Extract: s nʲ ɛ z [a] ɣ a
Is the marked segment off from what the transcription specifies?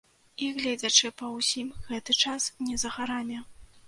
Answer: yes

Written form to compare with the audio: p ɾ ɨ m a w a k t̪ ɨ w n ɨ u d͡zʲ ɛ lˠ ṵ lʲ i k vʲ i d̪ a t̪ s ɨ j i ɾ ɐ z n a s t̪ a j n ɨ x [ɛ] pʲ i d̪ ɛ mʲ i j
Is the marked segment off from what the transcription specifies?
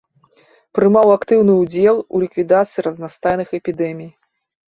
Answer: no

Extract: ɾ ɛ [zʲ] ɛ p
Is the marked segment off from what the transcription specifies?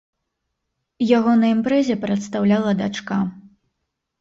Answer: no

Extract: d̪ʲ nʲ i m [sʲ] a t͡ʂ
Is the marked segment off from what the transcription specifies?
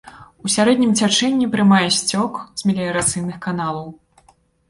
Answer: yes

